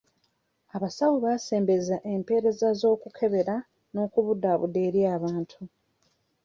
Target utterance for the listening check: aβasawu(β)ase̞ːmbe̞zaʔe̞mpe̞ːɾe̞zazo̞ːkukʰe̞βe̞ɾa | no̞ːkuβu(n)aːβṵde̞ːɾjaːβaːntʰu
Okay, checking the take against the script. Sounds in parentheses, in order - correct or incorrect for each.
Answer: correct, incorrect

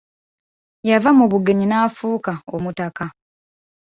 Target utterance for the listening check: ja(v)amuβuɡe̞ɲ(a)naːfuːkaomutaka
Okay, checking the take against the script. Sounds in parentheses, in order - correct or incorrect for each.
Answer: correct, incorrect

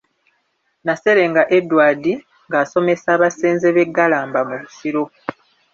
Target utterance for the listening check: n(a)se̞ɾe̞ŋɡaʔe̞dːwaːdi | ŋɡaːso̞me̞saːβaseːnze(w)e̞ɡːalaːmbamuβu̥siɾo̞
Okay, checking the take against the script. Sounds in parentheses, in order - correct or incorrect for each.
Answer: correct, incorrect

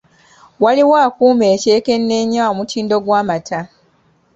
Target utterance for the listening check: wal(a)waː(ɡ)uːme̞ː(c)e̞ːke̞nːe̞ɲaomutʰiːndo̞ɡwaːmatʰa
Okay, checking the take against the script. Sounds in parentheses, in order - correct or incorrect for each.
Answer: incorrect, incorrect, correct

